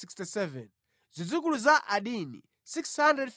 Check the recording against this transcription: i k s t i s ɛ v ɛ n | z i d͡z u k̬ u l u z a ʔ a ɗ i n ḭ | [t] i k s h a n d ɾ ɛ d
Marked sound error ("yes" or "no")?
yes